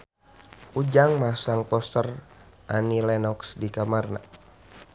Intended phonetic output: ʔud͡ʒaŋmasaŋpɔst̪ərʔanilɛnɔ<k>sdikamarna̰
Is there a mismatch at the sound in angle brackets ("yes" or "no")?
no